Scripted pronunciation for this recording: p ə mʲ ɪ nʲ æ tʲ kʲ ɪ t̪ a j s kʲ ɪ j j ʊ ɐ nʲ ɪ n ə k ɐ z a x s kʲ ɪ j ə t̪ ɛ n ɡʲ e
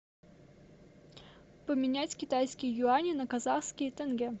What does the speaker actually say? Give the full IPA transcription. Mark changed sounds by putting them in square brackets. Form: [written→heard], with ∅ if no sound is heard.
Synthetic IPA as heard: p ə mʲ ɪ nʲ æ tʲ kʲ ɪ t̪ a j s kʲ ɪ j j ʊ [ɐ→a] nʲ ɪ n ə k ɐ z a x s kʲ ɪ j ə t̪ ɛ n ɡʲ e